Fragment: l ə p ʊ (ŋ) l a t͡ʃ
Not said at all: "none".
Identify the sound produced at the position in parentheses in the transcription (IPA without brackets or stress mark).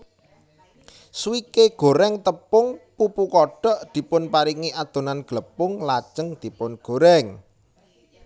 ŋ